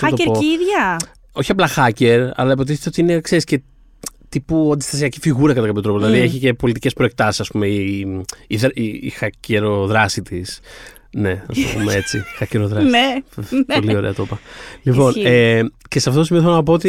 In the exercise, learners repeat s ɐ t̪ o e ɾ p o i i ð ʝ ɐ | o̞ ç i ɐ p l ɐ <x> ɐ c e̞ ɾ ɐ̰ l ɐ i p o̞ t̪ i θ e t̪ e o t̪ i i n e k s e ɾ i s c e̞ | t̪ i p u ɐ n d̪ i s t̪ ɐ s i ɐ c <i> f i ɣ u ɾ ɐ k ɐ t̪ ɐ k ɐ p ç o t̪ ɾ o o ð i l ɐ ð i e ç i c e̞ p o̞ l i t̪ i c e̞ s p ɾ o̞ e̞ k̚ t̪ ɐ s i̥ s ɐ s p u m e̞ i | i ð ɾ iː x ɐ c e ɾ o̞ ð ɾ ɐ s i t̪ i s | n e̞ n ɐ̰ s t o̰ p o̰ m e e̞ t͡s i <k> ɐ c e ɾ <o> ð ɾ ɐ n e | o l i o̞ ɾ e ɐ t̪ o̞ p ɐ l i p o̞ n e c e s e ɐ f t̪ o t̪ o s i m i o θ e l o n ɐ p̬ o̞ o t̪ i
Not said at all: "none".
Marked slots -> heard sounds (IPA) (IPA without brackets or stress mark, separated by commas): x, i, x, o